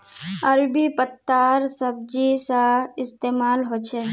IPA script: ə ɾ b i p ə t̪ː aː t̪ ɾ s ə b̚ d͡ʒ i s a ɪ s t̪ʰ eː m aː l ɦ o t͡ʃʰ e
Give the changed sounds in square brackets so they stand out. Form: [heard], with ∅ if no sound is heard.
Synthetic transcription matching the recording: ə ɾ b i p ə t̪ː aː [∅] ɾ s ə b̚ d͡ʒ i s a ɪ s [t̪] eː m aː l ɦ o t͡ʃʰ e